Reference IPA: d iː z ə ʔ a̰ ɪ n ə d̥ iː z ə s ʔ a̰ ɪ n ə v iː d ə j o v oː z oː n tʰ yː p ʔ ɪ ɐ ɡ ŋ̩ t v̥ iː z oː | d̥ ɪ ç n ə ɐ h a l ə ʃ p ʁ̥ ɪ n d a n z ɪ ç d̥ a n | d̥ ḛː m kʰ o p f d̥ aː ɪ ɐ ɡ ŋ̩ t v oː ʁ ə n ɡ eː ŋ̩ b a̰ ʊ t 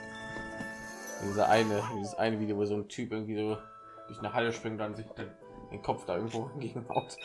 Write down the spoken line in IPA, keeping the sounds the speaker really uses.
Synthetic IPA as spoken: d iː z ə ʔ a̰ ɪ n ə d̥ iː z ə s ʔ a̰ ɪ n ə v iː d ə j o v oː z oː n tʰ yː p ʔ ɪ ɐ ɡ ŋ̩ t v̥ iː z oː | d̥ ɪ ç n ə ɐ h a l ə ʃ p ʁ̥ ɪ ŋ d a n z ɪ ç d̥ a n | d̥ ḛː n kʰ ɔ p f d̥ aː ɪ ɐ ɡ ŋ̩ t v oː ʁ a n ɡ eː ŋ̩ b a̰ ʊ t

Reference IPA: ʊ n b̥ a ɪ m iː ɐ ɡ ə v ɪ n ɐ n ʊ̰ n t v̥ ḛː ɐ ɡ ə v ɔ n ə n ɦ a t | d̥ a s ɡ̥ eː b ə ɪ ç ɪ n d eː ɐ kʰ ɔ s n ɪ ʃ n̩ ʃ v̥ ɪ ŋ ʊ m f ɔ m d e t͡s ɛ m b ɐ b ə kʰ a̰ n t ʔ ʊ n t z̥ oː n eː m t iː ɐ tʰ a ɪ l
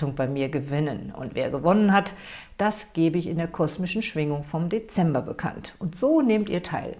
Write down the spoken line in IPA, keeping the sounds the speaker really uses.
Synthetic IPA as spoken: ʊ ŋ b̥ a ɪ m iː ɐ ɡ ə v ɪ n ə n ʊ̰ n t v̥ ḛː ɐ ɡ ə v ɔ n ə n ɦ a t | d̥ a s ɡ̥ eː b ə ɪ ç ɪ n d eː ɐ kʰ ɔ s m ɪ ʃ n̩ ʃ v̥ ɪ ŋ ʊ ŋ f ɔ m d e t͡s ɛ m b ɐ b ə kʰ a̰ n t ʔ ʊ n t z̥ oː n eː m t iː ɐ tʰ a ɪ l

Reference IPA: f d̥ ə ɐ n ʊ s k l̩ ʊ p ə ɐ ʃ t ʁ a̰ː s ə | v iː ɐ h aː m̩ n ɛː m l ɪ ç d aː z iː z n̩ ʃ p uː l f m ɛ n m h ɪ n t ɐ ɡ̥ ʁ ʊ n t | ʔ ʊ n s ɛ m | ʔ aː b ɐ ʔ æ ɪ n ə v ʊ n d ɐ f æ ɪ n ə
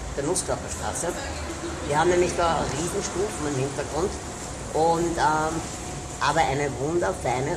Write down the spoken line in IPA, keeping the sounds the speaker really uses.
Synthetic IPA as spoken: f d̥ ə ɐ n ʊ s k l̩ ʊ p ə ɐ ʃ t ʁ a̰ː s ə | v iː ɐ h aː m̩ n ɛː m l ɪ ç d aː ʁ iː z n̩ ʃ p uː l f m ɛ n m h ɪ n t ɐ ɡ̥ ʁ ʊ n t | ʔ ʊ n t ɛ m | ʔ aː b ɐ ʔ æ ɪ n ə v ʊ n d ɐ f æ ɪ n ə

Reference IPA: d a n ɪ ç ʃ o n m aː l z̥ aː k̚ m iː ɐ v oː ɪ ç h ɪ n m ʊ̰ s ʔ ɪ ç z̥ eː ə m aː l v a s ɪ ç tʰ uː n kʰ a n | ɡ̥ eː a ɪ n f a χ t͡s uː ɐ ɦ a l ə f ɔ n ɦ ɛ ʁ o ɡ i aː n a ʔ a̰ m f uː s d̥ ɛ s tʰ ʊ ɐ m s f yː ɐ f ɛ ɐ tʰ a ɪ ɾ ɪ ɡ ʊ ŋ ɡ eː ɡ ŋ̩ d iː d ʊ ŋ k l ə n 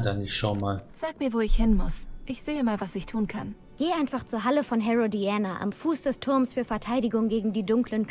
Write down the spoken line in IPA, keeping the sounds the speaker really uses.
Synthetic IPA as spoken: d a n ɪ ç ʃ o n m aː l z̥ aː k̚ m iː ɐ v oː ɪ ç h ɪ n m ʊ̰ s ʔ ɪ ç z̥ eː ə m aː l v a s ɪ ç tʰ uː n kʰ a n | ɡ̥ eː a ɪ n f a χ t͡s uː ɐ ɦ a l ə f ɔ n ɦ ɛ ʁ o d i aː n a ʔ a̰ m f uː s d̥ ɛ s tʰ ʊ ɐ m s f yː ɐ f ɛ ɐ tʰ a ɪ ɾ ɪ ɡ ʊ ŋ ɡ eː ɡ ŋ̩ d iː d ʊ ŋ k l ə n

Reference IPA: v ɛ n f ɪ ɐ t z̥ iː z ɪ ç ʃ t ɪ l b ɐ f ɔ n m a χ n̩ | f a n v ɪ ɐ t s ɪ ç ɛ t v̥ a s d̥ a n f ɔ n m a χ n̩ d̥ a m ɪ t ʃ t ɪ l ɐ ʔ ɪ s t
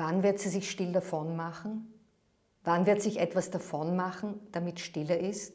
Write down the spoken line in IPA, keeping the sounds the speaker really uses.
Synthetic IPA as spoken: v a n v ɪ ɐ t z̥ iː z ɪ ç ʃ t ɪ l d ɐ f ɔ n m a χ n̩ | v a n v ɪ ɐ t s ɪ ç ɛ t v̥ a s d̥ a f ɔ n m a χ n̩ d̥ a m ɪ t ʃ t ɪ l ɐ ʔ ɪ s t

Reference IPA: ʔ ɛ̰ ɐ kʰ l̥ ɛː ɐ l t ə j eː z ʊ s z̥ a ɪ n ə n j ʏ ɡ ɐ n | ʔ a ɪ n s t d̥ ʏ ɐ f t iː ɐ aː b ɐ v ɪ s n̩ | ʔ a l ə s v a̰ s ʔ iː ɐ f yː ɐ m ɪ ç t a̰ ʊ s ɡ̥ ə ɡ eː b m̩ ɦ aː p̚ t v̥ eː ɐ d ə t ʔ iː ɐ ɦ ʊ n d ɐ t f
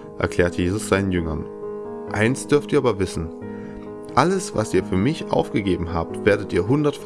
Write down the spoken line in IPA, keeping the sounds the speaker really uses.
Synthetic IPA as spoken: ʔ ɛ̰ ɐ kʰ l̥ ɛː ɐ t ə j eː z ʊ s z̥ a ɪ n ə n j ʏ ŋ ɐ n | ʔ a ɪ n s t d̥ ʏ ɐ f t iː ɐ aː b ɐ v ɪ s n̩ | ʔ a l ə s v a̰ s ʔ iː ɐ f yː ɐ m ɪ ç ʔ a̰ ʊ f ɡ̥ ə ɡ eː b m̩ ɦ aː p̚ t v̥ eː ɐ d ə t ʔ iː ɐ ɦ ʊ n d ɐ t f

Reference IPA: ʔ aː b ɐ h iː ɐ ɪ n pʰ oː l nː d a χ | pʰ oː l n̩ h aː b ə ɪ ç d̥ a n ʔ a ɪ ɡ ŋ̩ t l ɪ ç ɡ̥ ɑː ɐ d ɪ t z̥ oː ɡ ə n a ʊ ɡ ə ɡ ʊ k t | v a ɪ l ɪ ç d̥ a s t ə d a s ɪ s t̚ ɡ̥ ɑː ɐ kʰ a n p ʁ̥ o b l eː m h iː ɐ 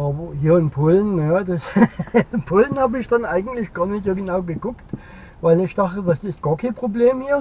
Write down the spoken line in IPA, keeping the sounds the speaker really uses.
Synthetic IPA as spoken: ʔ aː b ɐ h iː ɐ ɪ n pʰ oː l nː d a s | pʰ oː l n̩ h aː b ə ɪ ç d̥ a n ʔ a ɪ ɡ ŋ̩ t l ɪ ç ɡ̥ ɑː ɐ n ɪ t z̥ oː ɡ ə n a ʊ ɡ ə ɡ ʊ k t | v a ɪ l ɪ ç d̥ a χ t ə d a s ɪ s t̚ ɡ̥ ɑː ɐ kʰ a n p ʁ̥ o b l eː m h iː ɐ

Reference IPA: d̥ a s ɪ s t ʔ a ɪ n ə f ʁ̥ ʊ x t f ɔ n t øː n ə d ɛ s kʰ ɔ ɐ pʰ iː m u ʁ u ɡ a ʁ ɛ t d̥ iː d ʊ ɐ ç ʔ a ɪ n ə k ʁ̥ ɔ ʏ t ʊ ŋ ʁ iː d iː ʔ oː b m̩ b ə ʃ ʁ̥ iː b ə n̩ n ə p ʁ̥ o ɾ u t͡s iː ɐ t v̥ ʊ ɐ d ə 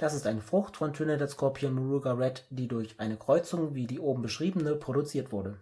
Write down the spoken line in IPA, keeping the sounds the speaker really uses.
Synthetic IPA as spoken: d̥ a s ɪ s t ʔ a ɪ n ə f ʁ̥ ʊ x t f ɔ n tʰ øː n ə d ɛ s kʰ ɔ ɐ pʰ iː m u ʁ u ɡ a ʁ ɛ t d̥ iː d ʊ ɐ ç ʔ a ɪ n ə k ʁ̥ ɔ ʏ t͡s ʊ ŋ v iː d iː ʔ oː b m̩ b ə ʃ ʁ̥ iː b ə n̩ n ə p ʁ̥ o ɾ u t͡s iː ɐ t v̥ ʊ ɐ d ə

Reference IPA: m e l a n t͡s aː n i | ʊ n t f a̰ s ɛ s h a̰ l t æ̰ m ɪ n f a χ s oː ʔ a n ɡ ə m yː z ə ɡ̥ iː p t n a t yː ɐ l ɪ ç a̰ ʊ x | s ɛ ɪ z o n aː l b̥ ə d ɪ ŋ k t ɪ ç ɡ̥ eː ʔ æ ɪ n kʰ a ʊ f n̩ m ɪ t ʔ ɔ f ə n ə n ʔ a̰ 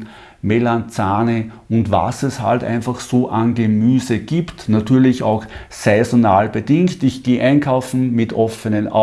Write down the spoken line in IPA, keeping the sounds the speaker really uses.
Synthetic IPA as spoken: m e l a n t͡s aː n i | ʊ n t v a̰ s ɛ s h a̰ l t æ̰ ɪ n f a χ s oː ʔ a n ɡ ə m yː z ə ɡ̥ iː p t n a t yː ɐ l ɪ ç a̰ ʊ x | s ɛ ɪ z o n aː l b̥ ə d ɪ ŋ k t ɪ ç ɡ̥ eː ʔ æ ɪ n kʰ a ʊ f n̩ m ɪ t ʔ ɔ f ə n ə n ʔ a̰

